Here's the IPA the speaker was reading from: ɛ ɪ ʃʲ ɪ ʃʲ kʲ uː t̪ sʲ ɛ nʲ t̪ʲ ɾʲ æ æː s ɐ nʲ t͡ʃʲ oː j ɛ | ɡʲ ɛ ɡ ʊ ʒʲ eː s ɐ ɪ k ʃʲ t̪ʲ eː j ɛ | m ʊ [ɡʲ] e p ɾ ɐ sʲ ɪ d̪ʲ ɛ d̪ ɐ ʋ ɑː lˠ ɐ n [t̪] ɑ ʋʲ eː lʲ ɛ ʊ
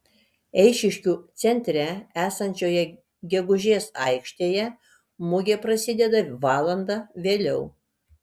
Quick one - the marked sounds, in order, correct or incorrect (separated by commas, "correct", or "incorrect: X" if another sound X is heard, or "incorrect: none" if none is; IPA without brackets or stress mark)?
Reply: correct, incorrect: d̪